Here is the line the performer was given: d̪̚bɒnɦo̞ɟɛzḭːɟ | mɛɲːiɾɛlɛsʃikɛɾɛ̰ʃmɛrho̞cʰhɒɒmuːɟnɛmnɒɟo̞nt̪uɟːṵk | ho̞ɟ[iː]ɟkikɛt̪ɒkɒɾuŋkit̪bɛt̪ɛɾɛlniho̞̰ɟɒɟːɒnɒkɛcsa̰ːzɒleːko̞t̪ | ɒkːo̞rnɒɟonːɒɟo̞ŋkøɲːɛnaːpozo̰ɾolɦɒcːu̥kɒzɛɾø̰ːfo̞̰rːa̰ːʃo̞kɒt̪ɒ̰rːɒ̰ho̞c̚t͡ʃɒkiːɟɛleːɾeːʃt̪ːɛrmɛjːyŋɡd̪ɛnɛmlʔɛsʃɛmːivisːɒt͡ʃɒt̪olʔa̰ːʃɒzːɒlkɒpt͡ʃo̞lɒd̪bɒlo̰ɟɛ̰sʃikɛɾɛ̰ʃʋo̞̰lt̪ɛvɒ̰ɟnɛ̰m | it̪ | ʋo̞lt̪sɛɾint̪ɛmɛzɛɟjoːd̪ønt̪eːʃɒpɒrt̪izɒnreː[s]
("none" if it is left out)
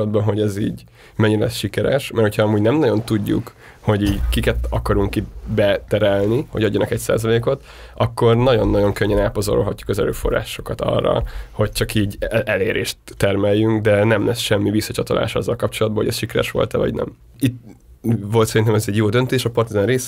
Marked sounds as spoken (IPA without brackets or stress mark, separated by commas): iː, s